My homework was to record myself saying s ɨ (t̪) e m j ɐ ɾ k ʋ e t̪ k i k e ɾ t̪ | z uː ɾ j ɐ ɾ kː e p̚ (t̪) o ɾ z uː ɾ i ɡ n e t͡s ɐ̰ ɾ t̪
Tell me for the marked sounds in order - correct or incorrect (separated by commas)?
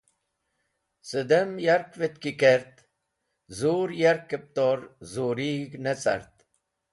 incorrect, correct